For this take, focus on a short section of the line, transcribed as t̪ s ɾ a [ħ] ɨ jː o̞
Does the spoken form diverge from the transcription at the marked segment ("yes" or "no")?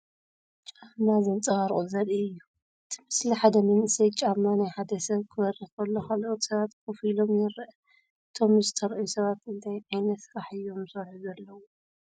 no